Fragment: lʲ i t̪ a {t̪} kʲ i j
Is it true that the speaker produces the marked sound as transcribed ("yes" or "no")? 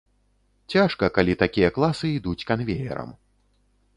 no